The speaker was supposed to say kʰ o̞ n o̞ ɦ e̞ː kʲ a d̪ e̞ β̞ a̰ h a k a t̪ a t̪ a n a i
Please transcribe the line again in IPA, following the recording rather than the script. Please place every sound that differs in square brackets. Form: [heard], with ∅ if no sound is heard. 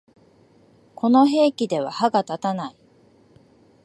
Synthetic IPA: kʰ o̞ n o̞ ɦ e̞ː kʲ [i] d̪ e̞ β̞ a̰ h a [ɡ] a t̪ a t̪ a n a i